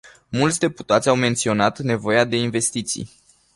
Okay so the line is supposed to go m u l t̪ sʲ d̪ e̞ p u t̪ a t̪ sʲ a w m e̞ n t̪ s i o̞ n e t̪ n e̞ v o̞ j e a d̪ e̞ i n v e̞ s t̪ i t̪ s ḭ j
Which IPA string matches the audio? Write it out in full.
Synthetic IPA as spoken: m u l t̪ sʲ d̪ e̞ p u t̪ a t̪ sʲ a w m e̞ n t̪ s i o̞ n a t̪ n e̞ v o̞ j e a d̪ e̞ i n v e̞ s t̪ i t̪ s ḭ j